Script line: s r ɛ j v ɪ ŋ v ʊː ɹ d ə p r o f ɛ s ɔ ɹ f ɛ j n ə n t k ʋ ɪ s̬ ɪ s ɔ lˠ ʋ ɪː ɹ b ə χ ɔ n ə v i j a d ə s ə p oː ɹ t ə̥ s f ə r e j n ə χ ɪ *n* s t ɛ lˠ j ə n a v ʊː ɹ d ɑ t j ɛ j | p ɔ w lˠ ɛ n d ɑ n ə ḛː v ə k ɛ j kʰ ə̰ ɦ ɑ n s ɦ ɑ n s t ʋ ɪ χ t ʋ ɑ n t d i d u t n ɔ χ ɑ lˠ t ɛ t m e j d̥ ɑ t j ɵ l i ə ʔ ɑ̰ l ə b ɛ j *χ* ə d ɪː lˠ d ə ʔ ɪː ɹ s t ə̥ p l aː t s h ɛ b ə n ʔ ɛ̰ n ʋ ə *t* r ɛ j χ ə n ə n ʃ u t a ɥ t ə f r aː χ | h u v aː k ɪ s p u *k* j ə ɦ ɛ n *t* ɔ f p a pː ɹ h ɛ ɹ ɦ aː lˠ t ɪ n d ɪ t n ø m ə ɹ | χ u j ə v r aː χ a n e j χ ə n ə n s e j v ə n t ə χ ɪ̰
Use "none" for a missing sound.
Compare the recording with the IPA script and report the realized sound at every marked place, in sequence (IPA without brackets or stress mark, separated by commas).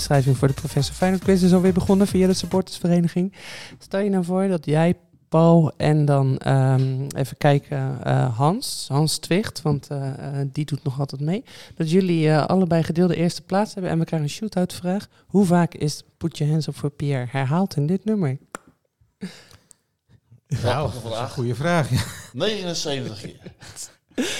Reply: ŋ, χ, k, t, s